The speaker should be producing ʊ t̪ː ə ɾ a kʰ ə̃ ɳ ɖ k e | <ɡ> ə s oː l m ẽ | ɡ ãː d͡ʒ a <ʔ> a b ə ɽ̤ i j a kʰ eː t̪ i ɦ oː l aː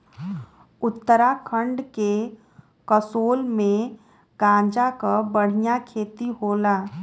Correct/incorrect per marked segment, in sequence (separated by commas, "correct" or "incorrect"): incorrect, incorrect